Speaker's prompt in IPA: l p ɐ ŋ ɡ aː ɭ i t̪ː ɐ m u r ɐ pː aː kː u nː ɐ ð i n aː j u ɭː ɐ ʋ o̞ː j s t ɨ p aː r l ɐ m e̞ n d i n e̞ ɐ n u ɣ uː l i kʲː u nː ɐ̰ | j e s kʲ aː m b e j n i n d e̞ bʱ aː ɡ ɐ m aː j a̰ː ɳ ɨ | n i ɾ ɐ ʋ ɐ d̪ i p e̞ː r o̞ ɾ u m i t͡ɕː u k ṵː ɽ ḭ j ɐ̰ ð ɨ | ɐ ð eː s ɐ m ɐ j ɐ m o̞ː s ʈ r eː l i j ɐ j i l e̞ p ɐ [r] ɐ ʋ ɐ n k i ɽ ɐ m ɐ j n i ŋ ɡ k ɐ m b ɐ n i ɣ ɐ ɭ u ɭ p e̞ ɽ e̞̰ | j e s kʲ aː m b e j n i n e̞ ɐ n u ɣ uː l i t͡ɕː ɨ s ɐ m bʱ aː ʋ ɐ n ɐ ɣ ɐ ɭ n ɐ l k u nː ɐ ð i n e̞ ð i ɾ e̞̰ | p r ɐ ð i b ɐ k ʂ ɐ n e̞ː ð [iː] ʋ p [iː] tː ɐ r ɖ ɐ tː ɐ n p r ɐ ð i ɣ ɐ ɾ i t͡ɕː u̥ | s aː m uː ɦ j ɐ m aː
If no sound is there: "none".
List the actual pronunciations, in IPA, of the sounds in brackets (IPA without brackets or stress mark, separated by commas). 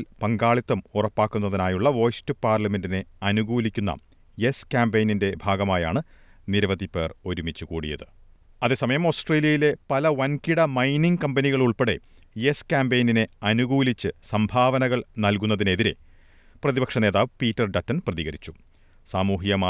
l, aː, iː